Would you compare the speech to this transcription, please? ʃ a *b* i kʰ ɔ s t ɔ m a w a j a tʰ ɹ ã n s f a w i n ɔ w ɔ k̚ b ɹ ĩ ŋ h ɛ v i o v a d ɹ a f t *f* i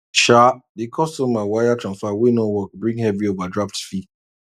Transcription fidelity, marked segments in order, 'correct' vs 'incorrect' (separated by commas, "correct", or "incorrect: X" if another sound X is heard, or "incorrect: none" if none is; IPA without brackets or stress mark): incorrect: d, correct